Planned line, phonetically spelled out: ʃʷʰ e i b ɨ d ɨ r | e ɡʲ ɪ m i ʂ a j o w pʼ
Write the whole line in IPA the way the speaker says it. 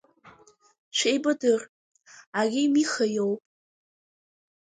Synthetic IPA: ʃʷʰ e j b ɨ d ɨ r | a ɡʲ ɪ m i χ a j o w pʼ